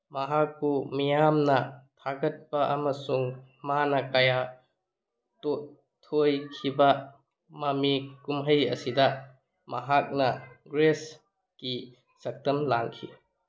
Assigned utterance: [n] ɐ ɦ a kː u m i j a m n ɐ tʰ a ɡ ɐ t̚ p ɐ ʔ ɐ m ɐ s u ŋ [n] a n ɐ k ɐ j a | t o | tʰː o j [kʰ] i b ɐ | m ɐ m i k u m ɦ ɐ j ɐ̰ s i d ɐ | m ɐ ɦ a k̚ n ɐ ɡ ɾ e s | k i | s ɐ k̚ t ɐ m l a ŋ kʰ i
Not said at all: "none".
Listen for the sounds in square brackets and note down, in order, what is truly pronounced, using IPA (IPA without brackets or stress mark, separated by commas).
m, m, kʰ